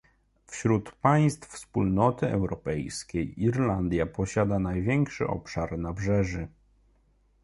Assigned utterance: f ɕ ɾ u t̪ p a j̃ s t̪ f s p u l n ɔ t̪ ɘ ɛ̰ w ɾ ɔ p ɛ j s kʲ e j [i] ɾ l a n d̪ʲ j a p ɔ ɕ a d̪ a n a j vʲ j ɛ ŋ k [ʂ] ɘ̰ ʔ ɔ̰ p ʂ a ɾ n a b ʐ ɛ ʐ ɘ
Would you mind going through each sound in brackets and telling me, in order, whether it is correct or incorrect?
correct, correct

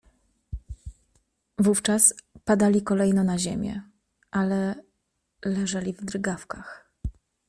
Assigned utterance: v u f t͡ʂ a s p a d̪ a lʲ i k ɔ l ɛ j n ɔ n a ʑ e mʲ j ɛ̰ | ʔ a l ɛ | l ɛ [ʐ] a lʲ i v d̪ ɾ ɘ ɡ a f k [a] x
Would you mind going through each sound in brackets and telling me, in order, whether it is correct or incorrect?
correct, correct

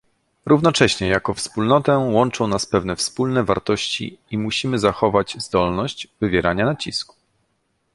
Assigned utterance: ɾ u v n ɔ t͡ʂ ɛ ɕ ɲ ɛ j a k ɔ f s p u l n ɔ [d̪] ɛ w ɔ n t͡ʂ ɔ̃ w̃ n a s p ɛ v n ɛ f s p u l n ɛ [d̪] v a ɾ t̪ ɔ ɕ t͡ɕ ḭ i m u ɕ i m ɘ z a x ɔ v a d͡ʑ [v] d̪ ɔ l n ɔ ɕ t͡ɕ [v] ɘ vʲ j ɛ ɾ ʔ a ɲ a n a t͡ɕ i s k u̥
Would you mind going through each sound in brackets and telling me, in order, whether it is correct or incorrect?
incorrect: t̪, incorrect: none, incorrect: z, correct

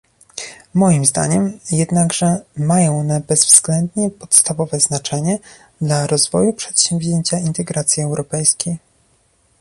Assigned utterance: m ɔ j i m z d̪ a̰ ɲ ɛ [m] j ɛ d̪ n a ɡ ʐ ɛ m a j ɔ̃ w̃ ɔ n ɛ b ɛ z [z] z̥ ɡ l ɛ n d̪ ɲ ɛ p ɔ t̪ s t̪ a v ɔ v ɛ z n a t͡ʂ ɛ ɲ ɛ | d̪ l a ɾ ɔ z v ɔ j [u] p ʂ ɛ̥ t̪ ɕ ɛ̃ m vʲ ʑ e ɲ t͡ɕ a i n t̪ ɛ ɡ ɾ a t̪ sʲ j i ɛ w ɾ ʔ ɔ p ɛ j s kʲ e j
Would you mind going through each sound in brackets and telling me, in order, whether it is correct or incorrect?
correct, incorrect: v, correct

